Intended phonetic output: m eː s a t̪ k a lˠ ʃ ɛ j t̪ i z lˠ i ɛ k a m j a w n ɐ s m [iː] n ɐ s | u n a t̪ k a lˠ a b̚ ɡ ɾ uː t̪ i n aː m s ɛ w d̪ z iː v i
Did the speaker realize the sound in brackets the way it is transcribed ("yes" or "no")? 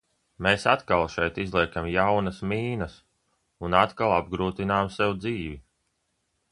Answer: yes